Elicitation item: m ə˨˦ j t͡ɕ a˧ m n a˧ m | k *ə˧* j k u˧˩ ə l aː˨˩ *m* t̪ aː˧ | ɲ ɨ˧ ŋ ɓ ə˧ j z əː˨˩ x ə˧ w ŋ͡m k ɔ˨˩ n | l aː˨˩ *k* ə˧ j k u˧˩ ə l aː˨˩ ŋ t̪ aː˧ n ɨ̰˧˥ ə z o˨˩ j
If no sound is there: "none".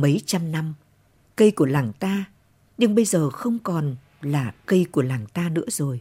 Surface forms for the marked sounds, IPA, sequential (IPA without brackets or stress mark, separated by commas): ə˧, ŋ, k